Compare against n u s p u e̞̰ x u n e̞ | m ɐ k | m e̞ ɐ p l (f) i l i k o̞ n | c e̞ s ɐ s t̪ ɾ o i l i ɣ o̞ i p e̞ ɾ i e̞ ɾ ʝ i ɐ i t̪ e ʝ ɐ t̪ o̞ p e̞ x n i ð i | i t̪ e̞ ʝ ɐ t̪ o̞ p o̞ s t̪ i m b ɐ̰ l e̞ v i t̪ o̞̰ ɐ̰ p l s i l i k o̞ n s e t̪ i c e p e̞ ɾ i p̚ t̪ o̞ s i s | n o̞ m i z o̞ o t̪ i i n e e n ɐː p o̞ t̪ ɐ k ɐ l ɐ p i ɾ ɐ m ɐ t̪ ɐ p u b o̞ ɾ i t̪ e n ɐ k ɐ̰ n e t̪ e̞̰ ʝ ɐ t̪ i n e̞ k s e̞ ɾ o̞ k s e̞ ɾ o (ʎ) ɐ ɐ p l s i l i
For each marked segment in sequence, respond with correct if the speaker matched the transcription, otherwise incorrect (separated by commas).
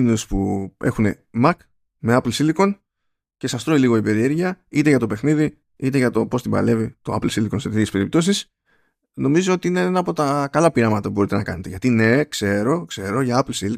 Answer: incorrect, incorrect